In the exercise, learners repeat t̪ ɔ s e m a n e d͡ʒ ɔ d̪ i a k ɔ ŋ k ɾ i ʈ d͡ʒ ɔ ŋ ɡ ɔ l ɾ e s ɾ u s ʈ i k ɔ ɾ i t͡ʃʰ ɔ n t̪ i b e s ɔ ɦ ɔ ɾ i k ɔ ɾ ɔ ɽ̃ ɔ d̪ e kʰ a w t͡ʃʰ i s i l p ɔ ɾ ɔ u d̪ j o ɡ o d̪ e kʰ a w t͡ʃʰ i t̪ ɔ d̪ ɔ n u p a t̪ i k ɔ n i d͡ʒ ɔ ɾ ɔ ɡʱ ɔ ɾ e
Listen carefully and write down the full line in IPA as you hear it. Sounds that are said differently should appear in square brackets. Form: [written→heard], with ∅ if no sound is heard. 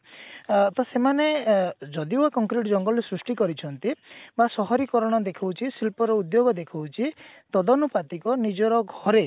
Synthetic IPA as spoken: t̪ ɔ s e m a n e d͡ʒ ɔ d̪ i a k ɔ ŋ k ɾ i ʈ d͡ʒ ɔ ŋ ɡ ɔ l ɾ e s ɾ u s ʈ i k ɔ ɾ i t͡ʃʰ ɔ n t̪ i b [e→a] s ɔ ɦ ɔ ɾ i k ɔ ɾ ɔ ɽ̃ ɔ d̪ e kʰ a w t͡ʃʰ i s i l p ɔ ɾ ɔ u d̪ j o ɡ [o→ɔ] d̪ e kʰ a w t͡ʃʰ i t̪ ɔ d̪ ɔ n u p a t̪ i k ɔ n i d͡ʒ ɔ ɾ ɔ ɡʱ ɔ ɾ e

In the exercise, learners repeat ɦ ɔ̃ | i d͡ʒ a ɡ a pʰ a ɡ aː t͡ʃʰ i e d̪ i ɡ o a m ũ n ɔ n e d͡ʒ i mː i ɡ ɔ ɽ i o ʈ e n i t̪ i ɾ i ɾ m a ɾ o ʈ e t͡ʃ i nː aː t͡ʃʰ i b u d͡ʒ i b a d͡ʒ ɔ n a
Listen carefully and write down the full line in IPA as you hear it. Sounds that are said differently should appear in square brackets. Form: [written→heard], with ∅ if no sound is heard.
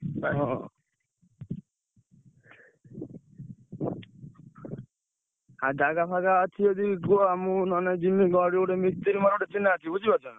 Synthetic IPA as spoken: ɦ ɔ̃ | [i→a] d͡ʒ a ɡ a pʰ a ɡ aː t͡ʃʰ i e d̪ i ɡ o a m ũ n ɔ n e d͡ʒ i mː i ɡ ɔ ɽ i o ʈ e [n→m] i t̪ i ɾ i [ɾ→∅] m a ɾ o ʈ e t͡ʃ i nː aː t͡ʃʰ i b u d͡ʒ i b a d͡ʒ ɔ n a

